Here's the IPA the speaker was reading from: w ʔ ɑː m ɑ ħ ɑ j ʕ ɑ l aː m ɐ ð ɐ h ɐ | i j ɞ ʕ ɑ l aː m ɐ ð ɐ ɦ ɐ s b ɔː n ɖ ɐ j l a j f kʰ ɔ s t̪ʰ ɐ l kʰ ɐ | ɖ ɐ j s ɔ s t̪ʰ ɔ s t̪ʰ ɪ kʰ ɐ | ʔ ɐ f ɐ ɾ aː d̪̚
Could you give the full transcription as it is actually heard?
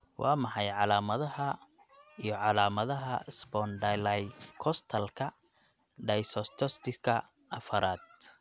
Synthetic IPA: w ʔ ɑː m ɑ ħ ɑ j ʕ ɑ l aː m ɐ ð ɐ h ɐ | i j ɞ ʕ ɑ l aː m ɐ ð ɐ ɦ ɐ s b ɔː n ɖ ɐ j l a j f kʰ ɔ s t̪ʰ ɐ l kʰ ɐ | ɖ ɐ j s ɔ s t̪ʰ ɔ s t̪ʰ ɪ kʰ ɐ | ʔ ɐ f ɐ ɾ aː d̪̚

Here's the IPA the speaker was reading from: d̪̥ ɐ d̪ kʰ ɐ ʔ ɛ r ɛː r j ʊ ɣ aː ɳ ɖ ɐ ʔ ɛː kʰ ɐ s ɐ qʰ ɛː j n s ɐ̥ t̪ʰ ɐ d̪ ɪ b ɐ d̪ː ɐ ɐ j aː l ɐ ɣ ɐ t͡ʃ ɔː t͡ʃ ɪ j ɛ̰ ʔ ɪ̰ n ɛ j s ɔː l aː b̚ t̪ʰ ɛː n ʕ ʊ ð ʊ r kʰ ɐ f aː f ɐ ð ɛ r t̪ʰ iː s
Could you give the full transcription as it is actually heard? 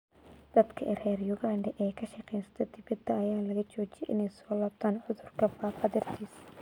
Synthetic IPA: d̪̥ ɐ d̪ kʰ ɐ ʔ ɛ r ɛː r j ʊ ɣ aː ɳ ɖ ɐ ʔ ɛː kʰ ɐ ʃ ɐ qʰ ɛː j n s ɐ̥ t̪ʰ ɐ d̪ ɪ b ɐ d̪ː ɐ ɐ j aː l ɐ ɣ ɐ t͡ʃ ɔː t͡ʃ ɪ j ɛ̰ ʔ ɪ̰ n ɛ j s ɔː l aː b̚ t̪ʰ aː n ʕ ʊ ð ʊ r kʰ ɐ f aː f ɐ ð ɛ r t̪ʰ iː s

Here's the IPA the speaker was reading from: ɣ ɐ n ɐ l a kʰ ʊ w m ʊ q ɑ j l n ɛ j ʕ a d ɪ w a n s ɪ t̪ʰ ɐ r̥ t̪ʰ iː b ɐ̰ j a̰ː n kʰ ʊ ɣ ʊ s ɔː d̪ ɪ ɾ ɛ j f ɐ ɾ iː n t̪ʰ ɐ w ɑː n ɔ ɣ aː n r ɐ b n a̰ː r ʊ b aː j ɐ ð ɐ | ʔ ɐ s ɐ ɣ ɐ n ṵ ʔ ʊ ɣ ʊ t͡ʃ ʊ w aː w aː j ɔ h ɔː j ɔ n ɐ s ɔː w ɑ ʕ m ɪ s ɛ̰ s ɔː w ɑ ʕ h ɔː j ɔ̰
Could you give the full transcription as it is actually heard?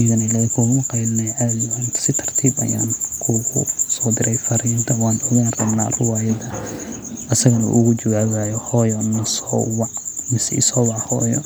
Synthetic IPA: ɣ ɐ n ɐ l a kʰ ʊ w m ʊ q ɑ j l n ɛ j ʕ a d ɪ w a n s ɪ t̪ʰ ɐ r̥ t̪ʰ iː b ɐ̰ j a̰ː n kʰ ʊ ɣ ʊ s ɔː d̪ ɪ ɾ ɛ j f ɐ ɾ iː n t̪ʰ ɐ w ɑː n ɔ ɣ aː n r ɐ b n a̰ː r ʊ w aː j ɐ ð ɐ | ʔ ɐ s ɐ ɣ ɐ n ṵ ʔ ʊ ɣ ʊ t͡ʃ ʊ w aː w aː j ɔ h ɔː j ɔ n ɐ s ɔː w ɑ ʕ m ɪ s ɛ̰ s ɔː w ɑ ʕ h ɔː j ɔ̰

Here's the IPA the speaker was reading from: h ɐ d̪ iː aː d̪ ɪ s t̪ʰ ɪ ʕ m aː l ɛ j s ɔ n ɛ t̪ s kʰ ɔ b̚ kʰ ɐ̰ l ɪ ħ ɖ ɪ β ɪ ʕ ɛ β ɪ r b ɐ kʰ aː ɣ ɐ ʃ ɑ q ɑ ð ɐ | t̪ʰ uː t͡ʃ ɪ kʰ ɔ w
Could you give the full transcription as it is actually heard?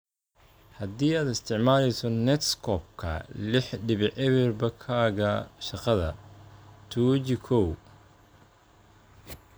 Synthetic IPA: h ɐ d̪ iː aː d̪ ɪ s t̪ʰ ɪ ʕ m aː l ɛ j s ɔ n ɛ t̪ s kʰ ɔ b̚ kʰ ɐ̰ l ɪ ħ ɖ ɪ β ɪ ʕ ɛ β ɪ r b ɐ kʰ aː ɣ ɐ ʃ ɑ q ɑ ð ɐ | t̪ʰ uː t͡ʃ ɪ kʰ ɔ w

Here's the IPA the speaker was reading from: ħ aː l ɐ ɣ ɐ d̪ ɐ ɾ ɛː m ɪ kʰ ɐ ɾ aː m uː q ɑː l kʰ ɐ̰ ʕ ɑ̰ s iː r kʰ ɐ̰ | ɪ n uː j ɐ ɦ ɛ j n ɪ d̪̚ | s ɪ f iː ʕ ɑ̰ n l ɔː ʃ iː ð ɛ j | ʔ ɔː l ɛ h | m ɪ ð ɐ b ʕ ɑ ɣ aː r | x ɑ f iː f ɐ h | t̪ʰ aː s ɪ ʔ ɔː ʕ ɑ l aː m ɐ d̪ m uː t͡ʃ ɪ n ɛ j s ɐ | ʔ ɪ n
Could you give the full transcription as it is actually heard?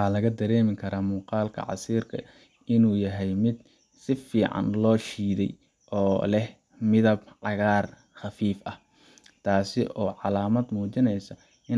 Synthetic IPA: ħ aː l ɐ ɣ ɐ d̪ ɐ ɾ ɛː m ɪ kʰ ɐ ɾ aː m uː q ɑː l kʰ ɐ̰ ʕ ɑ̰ s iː r kʰ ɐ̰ | ɪ n uː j ɐ ɦ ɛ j m ɪ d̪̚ | s ɪ f iː ʕ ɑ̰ n l ɔː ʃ iː ð ɛ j | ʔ ɔː l ɛ h | m ɪ ð ɐ b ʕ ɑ ɣ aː r | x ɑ f iː f ɐ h | t̪ʰ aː s ɪ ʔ ɔː ʕ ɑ l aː m ɐ d̪ m uː t͡ʃ ɪ n ɛ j s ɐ | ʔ ɪ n

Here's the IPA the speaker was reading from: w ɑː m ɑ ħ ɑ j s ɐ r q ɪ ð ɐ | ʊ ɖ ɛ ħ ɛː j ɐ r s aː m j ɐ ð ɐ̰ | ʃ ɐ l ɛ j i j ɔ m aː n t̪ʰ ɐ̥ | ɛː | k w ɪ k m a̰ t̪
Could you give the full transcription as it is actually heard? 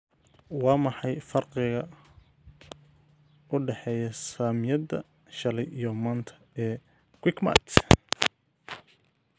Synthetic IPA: w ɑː m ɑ ħ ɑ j f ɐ r q ɪ ɣ ɐ | ʊ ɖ ɛ ħ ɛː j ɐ s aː m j ɐ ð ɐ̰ | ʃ ɐ l ɛ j i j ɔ m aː n t̪ʰ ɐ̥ | ɛː | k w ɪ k m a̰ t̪

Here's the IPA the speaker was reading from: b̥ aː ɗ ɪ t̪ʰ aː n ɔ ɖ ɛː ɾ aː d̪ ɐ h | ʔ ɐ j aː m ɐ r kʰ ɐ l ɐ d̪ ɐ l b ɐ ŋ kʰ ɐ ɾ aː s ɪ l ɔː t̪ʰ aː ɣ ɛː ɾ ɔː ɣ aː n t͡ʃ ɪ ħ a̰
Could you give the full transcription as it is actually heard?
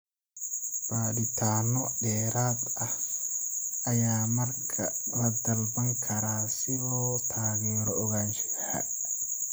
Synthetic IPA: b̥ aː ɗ ɪ t̪ʰ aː n ɔ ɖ ɛː ɾ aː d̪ ɐ h | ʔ ɐ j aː m ɐ r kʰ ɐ l ɐ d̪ ɐ l b ɐ ŋ kʰ ɐ ɾ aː s ɪ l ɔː t̪ʰ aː ɣ ɛː ɾ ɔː ɣ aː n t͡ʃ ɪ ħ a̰

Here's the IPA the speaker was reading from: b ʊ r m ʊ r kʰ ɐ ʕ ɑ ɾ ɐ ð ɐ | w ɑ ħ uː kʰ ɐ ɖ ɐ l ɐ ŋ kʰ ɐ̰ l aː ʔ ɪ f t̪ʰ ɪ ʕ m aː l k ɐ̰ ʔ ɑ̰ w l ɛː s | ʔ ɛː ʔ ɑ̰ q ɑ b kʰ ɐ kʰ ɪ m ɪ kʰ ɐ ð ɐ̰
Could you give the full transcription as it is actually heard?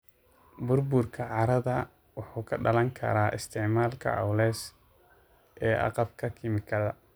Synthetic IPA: b ʊ r b ʊ r kʰ ɐ ʕ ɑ ɾ ɐ ð ɐ | w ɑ ħ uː kʰ ɐ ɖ ɐ l ɐ ŋ kʰ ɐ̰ ɾ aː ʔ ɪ s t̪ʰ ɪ ʕ m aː l kʰ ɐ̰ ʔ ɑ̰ w l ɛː s | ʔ ɛː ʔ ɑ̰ q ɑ b kʰ ɐ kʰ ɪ m ɪ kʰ ɐ ð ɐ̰

